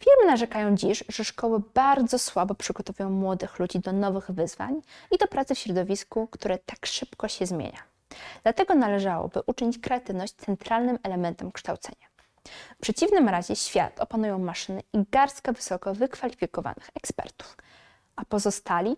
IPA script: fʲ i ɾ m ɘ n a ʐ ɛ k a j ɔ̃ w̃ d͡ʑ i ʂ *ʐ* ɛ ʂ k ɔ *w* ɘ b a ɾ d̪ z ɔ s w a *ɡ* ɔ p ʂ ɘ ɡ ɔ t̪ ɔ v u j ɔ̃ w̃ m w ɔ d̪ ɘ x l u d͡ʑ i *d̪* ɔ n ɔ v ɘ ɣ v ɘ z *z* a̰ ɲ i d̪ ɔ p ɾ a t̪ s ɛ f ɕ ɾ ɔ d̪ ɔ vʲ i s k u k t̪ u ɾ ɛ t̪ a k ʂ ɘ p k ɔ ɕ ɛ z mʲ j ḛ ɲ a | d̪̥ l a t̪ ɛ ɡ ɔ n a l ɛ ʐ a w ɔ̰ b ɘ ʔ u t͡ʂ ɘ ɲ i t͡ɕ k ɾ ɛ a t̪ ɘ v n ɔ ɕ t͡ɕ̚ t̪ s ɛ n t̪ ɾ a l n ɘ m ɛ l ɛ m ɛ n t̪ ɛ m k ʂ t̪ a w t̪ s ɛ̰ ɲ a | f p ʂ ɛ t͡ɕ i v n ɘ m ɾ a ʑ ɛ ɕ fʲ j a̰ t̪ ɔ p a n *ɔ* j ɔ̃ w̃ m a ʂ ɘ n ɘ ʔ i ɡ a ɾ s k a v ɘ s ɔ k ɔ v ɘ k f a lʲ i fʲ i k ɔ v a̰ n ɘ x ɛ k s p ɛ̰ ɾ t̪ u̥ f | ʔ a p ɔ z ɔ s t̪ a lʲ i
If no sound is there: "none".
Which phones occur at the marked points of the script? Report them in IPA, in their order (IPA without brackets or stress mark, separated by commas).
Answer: ʐ, w, b, d̪, v, u